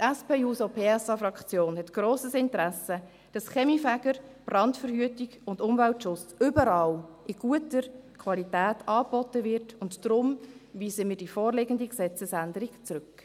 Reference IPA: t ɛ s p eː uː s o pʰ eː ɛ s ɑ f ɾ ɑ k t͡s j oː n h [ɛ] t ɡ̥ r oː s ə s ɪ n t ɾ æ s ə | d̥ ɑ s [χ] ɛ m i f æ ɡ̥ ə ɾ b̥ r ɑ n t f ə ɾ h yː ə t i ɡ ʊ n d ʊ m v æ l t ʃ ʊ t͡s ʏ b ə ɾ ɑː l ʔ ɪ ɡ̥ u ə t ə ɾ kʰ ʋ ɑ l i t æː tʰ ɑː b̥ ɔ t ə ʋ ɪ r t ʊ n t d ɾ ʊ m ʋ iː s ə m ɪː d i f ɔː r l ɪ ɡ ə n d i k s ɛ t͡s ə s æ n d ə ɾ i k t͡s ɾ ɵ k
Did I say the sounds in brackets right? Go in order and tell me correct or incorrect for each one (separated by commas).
correct, correct